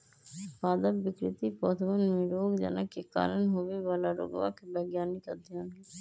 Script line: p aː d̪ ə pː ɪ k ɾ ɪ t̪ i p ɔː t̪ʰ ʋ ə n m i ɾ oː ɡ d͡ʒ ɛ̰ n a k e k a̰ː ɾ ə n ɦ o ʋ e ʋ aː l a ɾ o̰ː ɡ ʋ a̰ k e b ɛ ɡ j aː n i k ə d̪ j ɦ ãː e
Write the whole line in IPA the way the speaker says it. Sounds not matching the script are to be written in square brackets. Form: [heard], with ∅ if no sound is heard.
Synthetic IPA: p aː d̪ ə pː ɪ k ɾ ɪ t̪ i p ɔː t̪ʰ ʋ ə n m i ɾ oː ɡ d͡ʒ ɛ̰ n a k e k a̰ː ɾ ə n ɦ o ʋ e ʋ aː l a ɾ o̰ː ɡ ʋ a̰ k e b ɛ ɡ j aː n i k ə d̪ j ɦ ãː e